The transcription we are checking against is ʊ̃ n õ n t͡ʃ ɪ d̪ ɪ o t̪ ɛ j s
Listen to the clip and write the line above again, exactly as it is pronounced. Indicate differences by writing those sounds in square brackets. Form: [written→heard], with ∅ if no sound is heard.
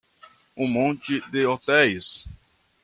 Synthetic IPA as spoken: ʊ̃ [n→m] õ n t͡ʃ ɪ d̪ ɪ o t̪ ɛ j s